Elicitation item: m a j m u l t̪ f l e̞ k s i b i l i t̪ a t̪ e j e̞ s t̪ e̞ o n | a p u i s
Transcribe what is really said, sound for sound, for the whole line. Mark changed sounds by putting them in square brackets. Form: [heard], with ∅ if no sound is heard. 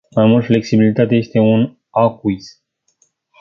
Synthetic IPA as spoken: m a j m u l t̪ f l e̞ k s i b i l i t̪ a t̪ e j e̞ s t̪ e̞ [u] n | a [k] u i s